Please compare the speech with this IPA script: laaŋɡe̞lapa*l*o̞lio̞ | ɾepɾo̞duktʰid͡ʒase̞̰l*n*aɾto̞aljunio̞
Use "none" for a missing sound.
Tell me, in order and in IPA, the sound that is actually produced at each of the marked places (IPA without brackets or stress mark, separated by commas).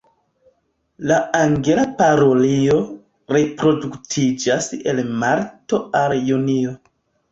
ɾ, m